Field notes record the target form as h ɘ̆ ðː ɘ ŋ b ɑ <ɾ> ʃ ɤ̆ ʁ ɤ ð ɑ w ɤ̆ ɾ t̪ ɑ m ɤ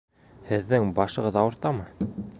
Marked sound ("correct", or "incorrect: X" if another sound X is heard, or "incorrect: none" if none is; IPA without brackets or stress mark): incorrect: none